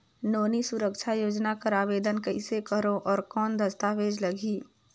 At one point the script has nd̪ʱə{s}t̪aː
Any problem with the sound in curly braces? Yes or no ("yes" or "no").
no